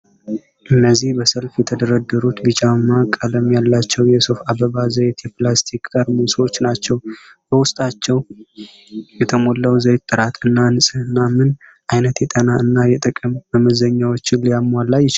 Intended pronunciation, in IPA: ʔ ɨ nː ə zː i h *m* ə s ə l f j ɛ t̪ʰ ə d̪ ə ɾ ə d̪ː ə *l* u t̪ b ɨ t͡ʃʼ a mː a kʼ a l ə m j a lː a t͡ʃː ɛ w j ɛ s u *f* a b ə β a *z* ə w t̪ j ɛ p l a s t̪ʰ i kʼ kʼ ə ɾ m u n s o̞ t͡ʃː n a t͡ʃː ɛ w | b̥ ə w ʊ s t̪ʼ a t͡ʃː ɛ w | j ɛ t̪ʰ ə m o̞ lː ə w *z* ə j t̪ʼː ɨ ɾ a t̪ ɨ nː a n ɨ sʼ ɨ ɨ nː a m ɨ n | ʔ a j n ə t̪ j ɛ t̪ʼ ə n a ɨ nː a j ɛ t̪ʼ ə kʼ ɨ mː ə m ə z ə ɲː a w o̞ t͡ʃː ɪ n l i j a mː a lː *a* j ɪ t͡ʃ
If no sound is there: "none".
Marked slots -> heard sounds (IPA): b, ɾ, f, z, z, a

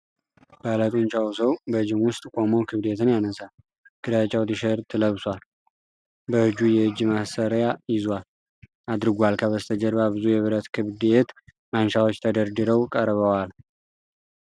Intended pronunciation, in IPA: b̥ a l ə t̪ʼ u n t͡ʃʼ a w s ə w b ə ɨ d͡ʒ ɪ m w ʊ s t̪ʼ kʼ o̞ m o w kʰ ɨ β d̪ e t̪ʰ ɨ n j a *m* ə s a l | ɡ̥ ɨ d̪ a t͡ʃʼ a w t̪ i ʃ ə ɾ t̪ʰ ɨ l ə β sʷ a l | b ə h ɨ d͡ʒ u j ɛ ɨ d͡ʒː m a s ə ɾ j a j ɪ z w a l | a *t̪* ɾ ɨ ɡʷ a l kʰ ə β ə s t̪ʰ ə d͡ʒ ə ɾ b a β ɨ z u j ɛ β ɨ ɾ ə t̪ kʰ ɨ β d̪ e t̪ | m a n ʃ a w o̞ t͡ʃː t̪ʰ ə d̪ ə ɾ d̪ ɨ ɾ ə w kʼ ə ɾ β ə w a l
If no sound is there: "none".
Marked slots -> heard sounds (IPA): n, d̪

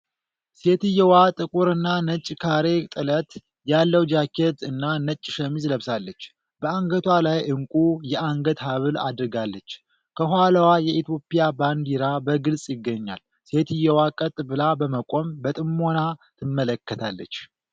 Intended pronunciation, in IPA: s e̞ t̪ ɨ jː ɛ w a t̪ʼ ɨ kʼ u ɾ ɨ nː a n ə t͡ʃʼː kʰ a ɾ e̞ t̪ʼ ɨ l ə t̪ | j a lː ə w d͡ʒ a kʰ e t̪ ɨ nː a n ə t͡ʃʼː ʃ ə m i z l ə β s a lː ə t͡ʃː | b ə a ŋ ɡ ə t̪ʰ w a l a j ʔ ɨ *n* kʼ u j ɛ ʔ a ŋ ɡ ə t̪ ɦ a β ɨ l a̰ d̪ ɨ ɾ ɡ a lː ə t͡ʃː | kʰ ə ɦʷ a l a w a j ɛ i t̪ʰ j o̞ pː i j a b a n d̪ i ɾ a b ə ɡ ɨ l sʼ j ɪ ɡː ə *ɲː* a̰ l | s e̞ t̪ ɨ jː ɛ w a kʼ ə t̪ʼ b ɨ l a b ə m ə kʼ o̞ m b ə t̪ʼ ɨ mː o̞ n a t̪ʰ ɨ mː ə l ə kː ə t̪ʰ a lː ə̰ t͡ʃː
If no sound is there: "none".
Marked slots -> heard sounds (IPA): ŋ, ɲː

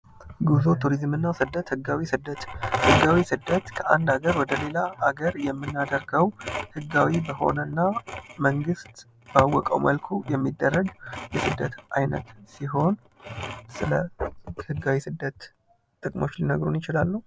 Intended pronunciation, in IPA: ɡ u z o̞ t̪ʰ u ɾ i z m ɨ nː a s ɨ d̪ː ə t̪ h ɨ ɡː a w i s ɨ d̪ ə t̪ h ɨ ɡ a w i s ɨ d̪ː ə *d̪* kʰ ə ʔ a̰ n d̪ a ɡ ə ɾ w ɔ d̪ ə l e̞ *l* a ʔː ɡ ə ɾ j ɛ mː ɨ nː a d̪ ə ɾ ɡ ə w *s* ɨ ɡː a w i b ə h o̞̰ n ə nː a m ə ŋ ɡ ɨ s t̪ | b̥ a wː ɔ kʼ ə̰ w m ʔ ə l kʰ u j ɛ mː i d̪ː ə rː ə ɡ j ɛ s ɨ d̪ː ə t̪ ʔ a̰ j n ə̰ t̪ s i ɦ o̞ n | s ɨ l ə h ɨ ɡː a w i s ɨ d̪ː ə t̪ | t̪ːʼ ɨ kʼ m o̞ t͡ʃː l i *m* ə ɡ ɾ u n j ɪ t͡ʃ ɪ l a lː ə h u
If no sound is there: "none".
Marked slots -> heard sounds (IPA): t̪, l, h, n

